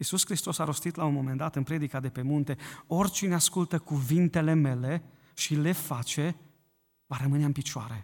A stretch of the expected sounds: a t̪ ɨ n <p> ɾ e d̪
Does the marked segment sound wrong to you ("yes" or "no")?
no